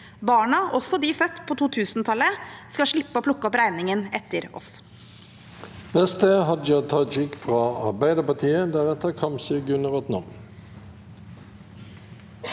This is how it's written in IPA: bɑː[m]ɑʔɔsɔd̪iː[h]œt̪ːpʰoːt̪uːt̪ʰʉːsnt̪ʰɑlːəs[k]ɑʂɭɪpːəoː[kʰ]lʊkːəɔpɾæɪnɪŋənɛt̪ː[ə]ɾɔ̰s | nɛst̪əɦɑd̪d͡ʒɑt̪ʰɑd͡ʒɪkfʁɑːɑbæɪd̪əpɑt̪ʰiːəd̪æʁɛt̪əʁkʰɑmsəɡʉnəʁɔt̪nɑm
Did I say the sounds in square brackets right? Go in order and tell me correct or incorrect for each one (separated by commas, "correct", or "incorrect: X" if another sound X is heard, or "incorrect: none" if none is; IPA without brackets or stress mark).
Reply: incorrect: ɳ, incorrect: f, correct, incorrect: pʰ, correct